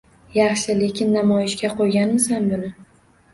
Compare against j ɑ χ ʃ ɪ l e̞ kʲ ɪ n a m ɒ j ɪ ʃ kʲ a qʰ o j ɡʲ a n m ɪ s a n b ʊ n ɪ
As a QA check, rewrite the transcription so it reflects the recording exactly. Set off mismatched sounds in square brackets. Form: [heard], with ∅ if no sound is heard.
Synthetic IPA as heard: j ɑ χ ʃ ɪ l e̞ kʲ ɪ [nː] a m ɒ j ɪ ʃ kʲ a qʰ o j ɡʲ a n m ɪ s a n b ʊ n ɪ